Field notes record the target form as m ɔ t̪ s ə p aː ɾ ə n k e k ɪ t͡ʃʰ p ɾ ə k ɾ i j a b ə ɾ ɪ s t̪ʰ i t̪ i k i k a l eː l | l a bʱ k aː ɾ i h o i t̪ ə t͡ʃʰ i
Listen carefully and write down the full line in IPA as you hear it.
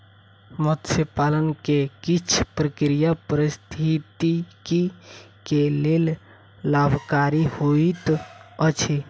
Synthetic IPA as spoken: m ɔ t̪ s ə p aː l ə n k e k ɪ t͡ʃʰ p ɾ ə k ɾ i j a p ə ɾ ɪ s t̪ʰ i t̪ i k i k e l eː l | l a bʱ k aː ɾ i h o i t̪ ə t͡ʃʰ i